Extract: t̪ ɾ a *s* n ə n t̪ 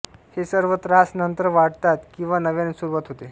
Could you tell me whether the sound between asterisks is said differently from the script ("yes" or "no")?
no